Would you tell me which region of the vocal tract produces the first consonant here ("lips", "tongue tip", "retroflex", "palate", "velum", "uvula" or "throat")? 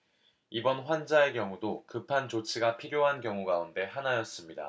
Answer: lips